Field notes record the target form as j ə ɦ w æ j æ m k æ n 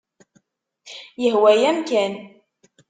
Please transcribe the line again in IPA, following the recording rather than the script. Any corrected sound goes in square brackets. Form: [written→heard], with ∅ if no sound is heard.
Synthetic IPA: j ə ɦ w æ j æ m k æ n